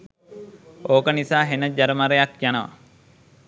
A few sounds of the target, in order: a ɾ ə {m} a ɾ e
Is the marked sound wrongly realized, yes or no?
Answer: no